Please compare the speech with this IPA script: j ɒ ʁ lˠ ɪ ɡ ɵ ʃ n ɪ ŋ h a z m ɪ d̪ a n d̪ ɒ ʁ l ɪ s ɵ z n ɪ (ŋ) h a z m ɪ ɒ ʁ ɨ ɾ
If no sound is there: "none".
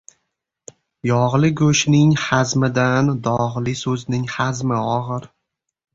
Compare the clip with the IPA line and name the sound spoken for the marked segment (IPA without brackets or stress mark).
ŋ